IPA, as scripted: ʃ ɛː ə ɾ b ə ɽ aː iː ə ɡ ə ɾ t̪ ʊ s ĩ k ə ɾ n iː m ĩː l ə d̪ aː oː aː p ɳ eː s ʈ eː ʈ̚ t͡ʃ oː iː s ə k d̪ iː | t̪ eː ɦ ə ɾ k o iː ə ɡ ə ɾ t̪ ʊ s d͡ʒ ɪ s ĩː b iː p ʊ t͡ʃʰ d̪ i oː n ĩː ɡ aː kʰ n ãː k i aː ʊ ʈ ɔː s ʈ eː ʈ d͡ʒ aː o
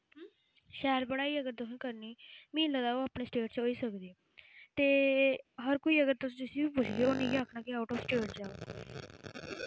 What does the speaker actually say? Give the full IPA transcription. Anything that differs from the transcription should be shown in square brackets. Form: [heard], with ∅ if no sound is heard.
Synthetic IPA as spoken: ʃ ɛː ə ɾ b ə ɽ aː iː ə ɡ ə ɾ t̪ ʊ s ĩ k ə ɾ n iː m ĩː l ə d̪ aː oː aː p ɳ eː s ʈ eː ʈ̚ t͡ʃ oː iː s ə k d̪ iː | t̪ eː ɦ ə ɾ k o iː ə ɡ ə ɾ t̪ ʊ s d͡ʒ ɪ s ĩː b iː p ʊ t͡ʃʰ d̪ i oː n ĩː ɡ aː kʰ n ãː k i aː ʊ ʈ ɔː s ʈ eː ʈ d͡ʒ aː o